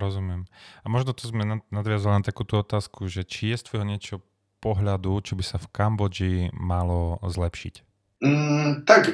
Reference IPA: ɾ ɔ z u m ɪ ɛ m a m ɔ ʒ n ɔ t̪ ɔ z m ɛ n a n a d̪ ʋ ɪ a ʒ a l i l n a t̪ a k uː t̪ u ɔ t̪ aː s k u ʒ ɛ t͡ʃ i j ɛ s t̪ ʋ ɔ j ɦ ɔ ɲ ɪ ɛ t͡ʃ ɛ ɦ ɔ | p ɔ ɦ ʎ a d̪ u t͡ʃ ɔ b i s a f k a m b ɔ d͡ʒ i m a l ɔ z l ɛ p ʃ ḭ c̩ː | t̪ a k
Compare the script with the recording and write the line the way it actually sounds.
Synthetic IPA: ɾ ɔ z u m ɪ ɛ m a m ɔ ʒ n ɔ t̪ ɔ z m ɛ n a n a d̪ ʋ ɪ a z a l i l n a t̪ a k uː t̪ u ɔ t̪ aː s k u ʒ ɛ t͡ʃ i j ɛ s t̪ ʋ ɔ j ɦ ɔ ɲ ɪ ɛ t͡ʃ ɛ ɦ ɔ | p ɔ ɦ ʎ a d̪ u t͡ʃ ɔ b i s a f k a m b ɔ d͡ʒ i m a l ɔ z l ɛ p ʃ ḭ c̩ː | t̪ a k